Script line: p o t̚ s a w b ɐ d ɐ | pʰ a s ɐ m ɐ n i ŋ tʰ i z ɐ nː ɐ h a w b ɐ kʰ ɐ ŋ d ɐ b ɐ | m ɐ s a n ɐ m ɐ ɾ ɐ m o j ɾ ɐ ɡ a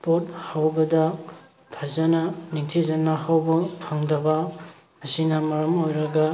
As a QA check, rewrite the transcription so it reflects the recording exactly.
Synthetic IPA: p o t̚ h a w b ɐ d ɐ | pʰ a z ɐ n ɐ n i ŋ tʰ i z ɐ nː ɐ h a w b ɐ pʰ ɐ ŋ d ɐ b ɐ | m ɐ s i n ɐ m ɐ ɾ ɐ m o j ɾ ɐ ɡ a